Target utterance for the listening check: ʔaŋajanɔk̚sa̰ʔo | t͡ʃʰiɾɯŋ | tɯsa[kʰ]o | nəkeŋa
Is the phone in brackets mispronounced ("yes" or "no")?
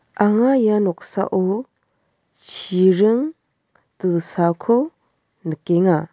no